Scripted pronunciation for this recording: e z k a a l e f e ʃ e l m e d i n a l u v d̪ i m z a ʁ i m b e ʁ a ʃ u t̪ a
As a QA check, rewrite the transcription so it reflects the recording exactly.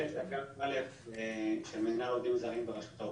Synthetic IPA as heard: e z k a a l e f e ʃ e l m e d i n a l o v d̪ i m z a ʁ i m b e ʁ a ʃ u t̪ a